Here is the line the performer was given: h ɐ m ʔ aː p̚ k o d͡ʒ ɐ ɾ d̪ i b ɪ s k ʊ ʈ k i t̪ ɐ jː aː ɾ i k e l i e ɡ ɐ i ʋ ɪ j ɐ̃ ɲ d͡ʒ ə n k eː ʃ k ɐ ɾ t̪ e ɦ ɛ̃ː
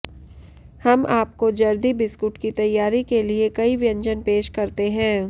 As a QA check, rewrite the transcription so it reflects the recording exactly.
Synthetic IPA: h ɐ m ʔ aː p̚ k o d͡ʒ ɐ ɾ d̪ i b ɪ s k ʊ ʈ k i t̪ ɐ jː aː ɾ i k e l i e k ɐ i ʋ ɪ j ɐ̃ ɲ d͡ʒ ə n p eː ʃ k ɐ ɾ t̪ e ɦ ɛ̃ː